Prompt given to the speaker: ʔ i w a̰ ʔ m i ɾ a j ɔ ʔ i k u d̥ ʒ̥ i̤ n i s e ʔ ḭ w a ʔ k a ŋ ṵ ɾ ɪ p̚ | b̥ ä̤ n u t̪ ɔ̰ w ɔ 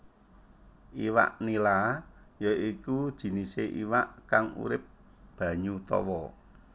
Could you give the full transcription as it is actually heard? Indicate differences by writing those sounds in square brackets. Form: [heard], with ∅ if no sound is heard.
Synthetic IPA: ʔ i w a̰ ʔ [n] i [l] a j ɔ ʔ i k u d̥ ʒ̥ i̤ n i s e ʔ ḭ w a ʔ k a ŋ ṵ ɾ ɪ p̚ | b̥ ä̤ [ɲ] u t̪ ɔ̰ w ɔ